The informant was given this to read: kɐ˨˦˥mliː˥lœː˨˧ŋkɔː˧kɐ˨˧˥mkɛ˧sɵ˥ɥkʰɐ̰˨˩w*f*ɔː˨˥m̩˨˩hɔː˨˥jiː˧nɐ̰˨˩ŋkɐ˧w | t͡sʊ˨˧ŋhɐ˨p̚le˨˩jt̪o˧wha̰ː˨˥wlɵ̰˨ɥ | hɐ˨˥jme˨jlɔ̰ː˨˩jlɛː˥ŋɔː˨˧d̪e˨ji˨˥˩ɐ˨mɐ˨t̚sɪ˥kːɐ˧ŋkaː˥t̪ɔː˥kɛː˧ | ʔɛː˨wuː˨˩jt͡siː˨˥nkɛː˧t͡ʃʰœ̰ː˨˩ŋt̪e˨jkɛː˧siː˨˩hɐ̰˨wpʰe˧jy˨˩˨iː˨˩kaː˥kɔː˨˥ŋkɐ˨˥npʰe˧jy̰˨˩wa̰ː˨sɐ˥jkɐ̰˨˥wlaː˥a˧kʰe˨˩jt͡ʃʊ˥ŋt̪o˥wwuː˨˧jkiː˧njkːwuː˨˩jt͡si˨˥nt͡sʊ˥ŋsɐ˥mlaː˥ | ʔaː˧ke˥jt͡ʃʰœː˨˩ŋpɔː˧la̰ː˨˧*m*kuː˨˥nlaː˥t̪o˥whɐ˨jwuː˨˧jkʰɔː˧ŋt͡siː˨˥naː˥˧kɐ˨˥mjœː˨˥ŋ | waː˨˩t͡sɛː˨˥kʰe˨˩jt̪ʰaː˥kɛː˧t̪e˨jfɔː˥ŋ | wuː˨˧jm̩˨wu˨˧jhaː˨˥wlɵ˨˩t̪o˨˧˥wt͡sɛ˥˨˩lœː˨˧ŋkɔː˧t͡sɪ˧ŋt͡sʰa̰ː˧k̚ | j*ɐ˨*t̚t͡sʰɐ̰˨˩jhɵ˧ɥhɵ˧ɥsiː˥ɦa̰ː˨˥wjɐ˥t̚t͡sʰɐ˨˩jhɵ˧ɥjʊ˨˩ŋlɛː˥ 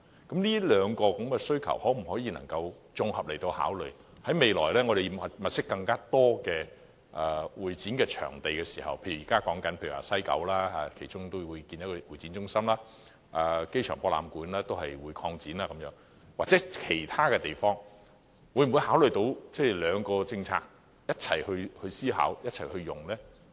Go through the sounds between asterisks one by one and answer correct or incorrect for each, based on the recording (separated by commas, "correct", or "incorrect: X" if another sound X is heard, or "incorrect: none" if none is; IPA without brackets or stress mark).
incorrect: h, correct, incorrect: ɐ˥